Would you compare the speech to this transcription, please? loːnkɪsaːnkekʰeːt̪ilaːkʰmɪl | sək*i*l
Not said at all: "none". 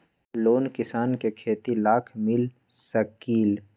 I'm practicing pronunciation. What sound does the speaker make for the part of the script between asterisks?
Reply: iː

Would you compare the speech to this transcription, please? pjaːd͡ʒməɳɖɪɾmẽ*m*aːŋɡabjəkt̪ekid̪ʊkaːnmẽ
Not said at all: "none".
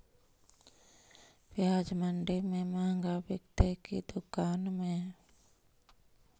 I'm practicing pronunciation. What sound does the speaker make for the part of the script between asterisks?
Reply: m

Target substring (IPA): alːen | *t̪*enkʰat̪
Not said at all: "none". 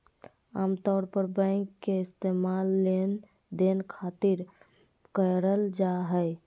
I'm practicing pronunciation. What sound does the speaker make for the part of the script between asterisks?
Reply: d̪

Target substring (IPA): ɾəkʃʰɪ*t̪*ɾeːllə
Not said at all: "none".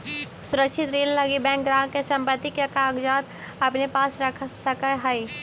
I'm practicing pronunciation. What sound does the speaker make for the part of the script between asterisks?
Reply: t̪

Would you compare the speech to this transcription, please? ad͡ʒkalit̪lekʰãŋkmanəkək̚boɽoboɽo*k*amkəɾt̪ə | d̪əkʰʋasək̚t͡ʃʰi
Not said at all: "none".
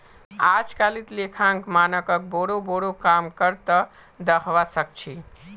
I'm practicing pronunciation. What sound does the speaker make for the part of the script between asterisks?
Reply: k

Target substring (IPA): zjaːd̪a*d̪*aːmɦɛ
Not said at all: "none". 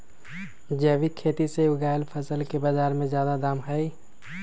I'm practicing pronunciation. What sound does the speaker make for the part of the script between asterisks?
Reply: d̪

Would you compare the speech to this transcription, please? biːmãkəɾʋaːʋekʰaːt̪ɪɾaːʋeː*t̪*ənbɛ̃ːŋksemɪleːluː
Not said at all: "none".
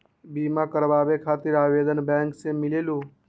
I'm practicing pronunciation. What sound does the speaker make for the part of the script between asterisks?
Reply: d̪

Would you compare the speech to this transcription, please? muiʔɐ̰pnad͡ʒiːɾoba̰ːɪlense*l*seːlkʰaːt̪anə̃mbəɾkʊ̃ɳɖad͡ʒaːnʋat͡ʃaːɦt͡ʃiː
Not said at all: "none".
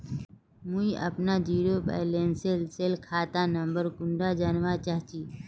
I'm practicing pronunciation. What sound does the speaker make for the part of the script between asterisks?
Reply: l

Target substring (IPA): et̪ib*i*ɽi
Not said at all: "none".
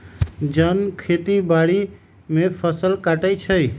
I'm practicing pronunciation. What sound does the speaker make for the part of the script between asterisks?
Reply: a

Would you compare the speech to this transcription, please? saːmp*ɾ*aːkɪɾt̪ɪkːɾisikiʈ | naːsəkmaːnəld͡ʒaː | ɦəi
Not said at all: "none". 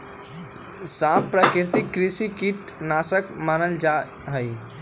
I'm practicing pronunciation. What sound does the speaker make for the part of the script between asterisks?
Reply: ɾ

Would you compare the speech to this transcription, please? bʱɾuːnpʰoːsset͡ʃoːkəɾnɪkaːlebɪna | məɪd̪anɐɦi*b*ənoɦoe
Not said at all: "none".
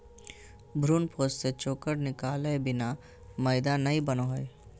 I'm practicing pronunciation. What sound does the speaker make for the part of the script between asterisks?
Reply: b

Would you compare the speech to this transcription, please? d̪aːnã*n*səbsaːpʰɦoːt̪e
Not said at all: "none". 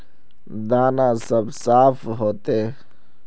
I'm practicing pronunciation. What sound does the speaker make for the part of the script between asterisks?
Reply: none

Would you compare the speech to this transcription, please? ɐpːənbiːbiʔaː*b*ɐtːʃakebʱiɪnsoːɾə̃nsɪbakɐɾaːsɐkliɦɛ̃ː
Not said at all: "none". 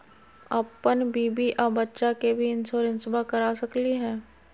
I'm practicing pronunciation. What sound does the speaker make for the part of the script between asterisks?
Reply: b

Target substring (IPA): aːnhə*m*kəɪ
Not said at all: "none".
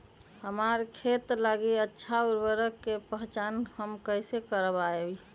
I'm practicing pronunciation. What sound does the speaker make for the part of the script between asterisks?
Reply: m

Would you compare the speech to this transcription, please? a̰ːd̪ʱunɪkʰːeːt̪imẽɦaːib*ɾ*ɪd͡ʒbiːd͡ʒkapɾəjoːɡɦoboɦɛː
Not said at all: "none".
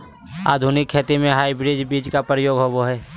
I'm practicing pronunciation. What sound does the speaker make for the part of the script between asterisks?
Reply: ɾ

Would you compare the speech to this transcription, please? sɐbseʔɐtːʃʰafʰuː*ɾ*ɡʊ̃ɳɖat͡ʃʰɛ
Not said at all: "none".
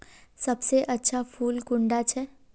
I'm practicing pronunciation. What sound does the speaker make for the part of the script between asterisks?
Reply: l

